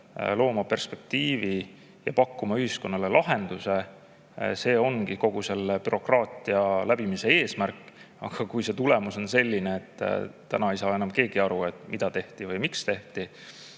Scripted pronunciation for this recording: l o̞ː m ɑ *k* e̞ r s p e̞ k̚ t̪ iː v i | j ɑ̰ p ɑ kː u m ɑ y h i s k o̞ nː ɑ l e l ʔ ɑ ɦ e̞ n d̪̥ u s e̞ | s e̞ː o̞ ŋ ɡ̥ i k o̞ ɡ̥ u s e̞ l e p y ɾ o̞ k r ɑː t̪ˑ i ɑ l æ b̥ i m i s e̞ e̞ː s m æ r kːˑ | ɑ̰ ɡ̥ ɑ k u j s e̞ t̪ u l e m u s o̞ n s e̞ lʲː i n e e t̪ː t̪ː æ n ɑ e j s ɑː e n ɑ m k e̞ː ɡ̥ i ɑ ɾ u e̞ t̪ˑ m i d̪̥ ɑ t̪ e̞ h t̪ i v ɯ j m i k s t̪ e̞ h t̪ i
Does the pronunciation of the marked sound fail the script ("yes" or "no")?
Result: yes